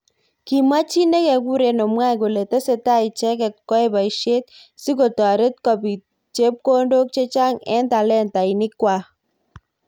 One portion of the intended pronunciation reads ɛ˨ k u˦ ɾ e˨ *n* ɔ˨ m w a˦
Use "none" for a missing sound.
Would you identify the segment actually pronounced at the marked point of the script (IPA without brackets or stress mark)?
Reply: n